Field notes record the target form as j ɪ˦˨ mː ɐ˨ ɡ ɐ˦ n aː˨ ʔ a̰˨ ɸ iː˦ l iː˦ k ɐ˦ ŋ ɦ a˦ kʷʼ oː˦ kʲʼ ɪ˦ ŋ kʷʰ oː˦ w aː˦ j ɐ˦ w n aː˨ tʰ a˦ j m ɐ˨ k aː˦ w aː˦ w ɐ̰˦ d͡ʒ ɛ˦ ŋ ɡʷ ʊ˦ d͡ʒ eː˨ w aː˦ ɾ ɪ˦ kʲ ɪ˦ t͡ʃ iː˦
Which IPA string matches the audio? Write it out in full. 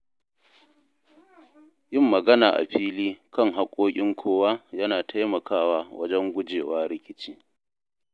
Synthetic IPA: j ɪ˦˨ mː ɐ˨ ɡ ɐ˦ n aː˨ ʔ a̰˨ ɸ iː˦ l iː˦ k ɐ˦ ŋ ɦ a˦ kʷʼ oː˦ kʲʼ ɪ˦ ŋ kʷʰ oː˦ w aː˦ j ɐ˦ n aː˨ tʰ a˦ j m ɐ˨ k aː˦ w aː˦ w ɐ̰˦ d͡ʒ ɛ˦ ŋ ɡʷ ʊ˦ d͡ʒ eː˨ w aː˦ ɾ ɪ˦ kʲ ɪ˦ t͡ʃ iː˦